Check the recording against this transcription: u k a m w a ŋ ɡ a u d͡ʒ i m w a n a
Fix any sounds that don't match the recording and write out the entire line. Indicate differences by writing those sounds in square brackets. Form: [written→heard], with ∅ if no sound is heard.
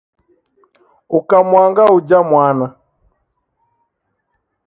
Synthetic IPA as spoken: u k a m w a ŋ ɡ a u d͡ʒ [i→a] m w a n a